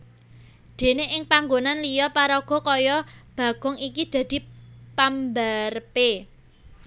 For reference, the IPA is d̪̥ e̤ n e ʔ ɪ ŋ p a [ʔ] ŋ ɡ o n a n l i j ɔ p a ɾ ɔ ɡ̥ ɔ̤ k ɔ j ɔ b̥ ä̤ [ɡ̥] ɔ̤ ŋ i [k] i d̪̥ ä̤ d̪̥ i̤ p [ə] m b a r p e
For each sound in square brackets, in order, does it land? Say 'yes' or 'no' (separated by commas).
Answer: no, yes, yes, no